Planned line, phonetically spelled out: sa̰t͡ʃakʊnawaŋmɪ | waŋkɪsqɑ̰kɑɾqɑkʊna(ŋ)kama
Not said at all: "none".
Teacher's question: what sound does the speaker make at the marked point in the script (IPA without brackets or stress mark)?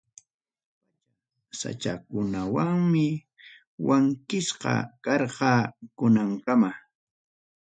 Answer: ŋ